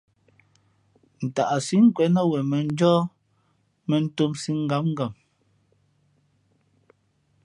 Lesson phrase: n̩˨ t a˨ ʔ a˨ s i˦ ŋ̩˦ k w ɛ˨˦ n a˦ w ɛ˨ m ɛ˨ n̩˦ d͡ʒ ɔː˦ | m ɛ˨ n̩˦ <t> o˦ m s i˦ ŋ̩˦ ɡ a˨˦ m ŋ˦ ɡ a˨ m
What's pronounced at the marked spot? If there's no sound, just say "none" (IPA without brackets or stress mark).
t